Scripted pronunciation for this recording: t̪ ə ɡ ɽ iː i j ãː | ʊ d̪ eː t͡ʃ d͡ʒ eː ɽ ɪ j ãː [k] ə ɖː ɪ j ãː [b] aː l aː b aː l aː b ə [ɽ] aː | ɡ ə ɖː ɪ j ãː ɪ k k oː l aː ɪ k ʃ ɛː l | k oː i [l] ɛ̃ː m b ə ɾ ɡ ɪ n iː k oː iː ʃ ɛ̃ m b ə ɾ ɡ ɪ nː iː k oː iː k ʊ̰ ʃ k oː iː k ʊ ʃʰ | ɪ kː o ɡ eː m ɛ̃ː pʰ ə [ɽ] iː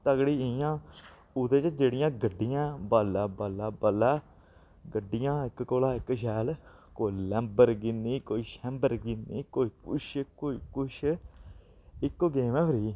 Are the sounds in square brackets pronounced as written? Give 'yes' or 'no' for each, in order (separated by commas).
no, yes, no, yes, no